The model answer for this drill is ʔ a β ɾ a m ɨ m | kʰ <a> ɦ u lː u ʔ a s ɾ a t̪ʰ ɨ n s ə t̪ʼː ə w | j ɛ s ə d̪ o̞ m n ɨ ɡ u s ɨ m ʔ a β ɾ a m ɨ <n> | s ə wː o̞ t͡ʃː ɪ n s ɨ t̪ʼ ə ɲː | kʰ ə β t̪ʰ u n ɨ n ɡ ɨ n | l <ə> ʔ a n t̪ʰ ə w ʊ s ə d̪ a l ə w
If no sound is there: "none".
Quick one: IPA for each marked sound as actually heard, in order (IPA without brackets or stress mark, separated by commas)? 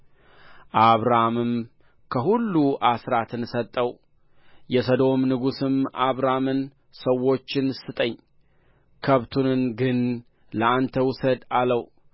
ə, n, ə